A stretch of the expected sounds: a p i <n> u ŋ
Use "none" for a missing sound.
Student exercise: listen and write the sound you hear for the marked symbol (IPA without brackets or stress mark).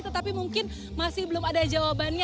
m